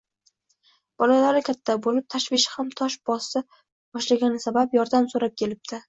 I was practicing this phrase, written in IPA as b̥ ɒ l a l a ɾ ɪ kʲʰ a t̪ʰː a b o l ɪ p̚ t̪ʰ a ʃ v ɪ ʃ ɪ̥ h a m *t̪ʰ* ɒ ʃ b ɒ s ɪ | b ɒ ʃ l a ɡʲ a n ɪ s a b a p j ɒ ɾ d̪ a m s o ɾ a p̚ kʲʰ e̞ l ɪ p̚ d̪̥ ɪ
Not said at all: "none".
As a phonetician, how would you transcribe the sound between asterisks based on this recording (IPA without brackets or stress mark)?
t̪ʰ